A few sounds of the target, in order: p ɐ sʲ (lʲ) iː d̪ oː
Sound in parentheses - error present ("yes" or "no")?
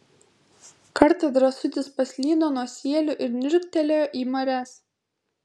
no